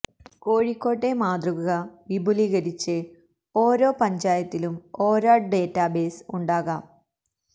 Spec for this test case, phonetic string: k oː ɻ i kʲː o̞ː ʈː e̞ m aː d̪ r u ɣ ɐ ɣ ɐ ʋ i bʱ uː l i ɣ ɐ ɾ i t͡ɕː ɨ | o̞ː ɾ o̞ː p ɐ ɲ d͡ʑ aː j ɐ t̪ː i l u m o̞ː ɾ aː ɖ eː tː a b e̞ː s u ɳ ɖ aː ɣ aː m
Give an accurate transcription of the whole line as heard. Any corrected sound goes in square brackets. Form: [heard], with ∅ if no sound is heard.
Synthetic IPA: k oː ɻ i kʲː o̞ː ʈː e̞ m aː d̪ r u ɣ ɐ ɣ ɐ ʋ i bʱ [u] l i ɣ ɐ ɾ i t͡ɕː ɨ | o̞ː ɾ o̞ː p ɐ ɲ d͡ʑ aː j ɐ t̪ː i l u m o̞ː ɾ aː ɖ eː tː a b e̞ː s u ɳ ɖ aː ɣ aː m